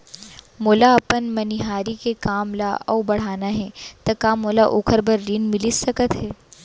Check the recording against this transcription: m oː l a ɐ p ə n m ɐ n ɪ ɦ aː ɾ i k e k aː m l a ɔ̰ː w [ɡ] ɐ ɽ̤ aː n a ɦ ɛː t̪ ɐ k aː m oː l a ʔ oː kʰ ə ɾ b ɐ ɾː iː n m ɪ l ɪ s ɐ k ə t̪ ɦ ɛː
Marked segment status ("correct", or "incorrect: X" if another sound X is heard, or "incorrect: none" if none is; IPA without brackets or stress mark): incorrect: b